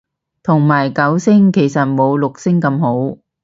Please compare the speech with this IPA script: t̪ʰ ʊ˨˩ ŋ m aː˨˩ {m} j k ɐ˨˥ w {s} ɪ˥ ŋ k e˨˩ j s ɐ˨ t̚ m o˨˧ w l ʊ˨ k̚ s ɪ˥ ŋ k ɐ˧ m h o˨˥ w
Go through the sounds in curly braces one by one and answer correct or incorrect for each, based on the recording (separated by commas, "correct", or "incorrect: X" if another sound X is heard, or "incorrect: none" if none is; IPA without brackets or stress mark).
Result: incorrect: none, correct